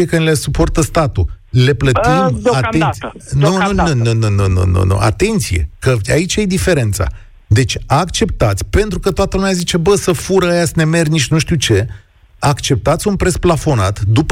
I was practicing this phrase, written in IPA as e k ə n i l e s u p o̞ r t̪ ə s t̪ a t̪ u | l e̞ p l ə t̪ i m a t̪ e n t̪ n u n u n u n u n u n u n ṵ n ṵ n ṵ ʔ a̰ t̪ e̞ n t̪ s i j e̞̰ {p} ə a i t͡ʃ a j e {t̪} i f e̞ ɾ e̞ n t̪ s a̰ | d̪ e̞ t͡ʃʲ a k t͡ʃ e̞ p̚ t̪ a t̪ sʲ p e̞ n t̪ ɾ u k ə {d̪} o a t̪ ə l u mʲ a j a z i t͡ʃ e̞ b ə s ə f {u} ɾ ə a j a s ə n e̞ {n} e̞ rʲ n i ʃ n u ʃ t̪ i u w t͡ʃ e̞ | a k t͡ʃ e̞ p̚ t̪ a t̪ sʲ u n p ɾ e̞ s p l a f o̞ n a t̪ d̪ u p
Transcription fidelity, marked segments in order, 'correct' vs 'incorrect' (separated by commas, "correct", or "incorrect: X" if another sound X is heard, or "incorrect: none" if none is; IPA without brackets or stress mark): incorrect: k, incorrect: d̪, incorrect: t̪, correct, incorrect: m